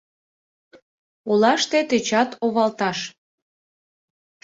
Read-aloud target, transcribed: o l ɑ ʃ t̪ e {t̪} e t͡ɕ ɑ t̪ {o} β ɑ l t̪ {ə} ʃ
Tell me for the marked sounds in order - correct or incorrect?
correct, correct, incorrect: ɑ

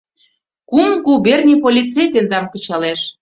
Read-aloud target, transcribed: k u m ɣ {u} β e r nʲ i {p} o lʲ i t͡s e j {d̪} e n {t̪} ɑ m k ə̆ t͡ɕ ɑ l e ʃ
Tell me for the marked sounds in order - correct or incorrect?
correct, correct, incorrect: t̪, incorrect: d̪

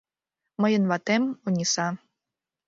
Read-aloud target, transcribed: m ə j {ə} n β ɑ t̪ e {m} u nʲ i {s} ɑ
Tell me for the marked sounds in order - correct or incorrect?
correct, correct, correct

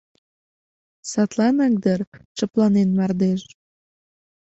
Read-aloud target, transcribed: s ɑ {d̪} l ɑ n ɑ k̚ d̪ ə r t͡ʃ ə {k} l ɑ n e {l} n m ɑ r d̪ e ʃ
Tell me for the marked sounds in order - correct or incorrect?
incorrect: t̪, incorrect: p, incorrect: none

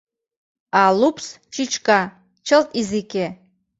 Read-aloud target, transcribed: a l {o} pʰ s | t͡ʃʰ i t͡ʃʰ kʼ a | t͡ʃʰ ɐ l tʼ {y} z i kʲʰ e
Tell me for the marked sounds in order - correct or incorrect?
incorrect: u, incorrect: i

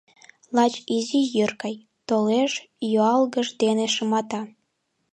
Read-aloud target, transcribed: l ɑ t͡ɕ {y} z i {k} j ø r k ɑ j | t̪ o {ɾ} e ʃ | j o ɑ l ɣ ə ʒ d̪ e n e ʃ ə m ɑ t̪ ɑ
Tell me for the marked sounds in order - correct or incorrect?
incorrect: i, incorrect: none, incorrect: l

